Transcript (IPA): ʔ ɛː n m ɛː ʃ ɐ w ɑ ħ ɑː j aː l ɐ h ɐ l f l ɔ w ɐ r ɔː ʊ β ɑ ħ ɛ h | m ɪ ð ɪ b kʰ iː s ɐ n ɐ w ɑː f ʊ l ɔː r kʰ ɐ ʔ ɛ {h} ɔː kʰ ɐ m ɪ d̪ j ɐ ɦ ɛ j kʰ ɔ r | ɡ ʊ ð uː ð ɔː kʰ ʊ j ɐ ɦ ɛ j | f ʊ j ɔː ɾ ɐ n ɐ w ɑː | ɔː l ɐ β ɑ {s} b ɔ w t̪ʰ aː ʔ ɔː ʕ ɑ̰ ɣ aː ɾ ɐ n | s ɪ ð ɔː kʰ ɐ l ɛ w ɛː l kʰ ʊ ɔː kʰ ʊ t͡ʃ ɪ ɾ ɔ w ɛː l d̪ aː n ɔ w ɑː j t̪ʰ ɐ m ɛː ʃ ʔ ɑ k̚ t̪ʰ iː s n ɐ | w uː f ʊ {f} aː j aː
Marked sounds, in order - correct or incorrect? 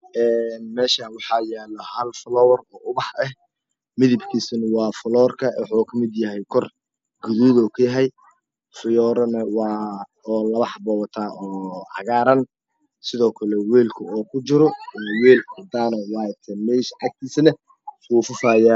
incorrect, incorrect, correct

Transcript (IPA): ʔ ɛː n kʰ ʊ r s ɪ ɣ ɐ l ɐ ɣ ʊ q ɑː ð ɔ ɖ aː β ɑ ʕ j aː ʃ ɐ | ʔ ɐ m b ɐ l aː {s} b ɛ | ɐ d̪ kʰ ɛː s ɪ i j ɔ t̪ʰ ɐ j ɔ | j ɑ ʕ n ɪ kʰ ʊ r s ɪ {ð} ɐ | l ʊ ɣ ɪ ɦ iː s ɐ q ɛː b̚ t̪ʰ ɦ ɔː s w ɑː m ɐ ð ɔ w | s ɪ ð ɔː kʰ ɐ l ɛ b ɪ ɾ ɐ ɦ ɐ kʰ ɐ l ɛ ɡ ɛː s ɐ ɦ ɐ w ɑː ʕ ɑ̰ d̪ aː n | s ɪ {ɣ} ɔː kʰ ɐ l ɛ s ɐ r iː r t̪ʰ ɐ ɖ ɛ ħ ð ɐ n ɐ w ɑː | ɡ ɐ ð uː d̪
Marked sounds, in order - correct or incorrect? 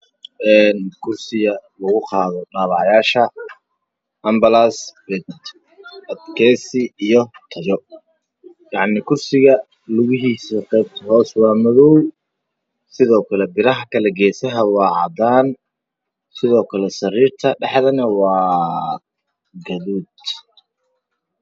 correct, incorrect, incorrect

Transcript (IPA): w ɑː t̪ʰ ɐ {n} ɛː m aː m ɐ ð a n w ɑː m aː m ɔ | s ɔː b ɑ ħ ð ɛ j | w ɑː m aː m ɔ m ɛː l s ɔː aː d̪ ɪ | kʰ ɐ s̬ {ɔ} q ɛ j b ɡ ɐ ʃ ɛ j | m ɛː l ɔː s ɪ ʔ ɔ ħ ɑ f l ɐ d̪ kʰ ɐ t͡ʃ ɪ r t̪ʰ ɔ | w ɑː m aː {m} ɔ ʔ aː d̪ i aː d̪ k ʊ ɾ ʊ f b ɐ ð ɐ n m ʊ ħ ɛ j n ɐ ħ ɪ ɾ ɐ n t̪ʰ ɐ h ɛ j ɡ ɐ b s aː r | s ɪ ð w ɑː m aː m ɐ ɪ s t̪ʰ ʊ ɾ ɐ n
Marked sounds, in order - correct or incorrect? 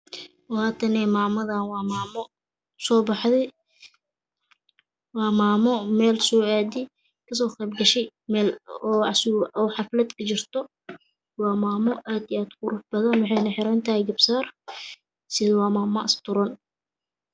correct, incorrect, correct

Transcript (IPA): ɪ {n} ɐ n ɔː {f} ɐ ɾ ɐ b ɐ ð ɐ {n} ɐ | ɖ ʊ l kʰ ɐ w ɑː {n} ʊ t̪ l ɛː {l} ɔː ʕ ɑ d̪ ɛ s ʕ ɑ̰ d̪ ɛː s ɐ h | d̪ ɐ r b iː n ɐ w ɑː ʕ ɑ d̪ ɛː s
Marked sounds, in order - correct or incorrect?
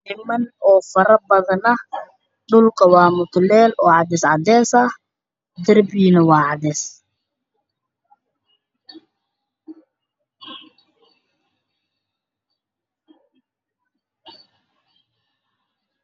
incorrect, correct, correct, incorrect, correct

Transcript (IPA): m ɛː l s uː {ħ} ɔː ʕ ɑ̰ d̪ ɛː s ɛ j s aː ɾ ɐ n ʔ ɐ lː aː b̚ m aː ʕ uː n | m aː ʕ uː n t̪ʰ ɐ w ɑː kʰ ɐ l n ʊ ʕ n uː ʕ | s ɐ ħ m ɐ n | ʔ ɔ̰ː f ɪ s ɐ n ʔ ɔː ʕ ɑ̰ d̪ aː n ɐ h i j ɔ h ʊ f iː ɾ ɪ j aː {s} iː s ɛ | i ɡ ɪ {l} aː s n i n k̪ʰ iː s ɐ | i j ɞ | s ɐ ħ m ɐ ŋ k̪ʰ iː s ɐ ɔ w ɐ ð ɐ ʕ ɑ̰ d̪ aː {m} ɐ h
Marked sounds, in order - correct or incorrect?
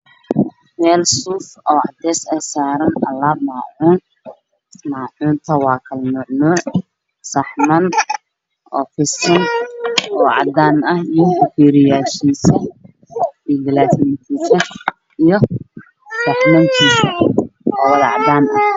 incorrect, incorrect, correct, incorrect

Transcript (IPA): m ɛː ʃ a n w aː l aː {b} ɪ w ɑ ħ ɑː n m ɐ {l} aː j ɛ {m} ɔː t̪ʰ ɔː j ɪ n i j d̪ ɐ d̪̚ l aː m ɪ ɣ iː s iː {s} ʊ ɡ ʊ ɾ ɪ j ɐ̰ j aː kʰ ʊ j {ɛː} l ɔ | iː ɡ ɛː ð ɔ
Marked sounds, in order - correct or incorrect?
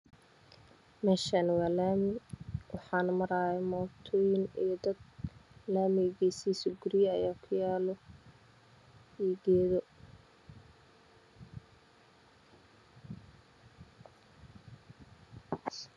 incorrect, incorrect, correct, correct, incorrect

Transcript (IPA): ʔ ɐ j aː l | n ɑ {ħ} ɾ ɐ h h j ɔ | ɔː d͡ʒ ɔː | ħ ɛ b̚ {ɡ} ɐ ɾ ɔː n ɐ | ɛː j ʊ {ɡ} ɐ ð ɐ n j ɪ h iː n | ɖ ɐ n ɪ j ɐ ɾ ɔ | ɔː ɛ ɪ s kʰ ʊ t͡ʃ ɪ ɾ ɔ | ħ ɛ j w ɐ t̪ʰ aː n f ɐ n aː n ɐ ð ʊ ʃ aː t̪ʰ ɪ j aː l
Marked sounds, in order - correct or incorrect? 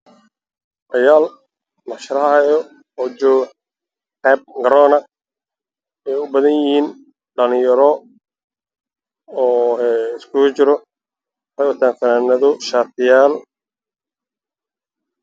incorrect, correct, incorrect

